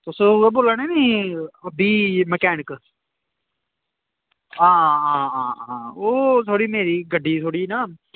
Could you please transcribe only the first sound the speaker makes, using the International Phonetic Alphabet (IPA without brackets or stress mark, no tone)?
t̪